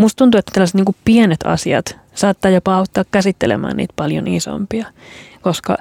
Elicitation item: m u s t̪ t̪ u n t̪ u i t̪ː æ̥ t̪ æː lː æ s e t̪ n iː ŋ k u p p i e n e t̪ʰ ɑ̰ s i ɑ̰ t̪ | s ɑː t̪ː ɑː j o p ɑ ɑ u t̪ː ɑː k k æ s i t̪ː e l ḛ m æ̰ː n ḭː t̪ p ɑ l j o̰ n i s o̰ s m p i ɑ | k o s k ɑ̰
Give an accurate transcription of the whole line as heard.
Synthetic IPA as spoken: m u s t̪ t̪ u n t̪ u e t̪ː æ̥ t̪ æ lː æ s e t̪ n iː ŋ k u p p i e n e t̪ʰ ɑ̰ s i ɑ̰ t̪ | s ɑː t̪ː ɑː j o p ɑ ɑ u t̪ː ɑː k k æ s i t̪ː e l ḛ m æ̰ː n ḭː t̪ p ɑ l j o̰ n i s o̰ m p i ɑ | k o s k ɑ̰